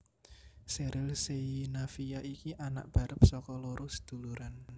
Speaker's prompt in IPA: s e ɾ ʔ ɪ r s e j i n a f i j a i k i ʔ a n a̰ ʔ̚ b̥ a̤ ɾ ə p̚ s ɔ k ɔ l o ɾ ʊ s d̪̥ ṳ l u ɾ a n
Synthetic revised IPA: s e ɾ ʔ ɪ l s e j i n a f i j a i k i ʔ a n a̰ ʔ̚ b̥ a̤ ɾ ə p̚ s ɔ k ɔ l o ɾ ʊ s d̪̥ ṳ l u ɾ a n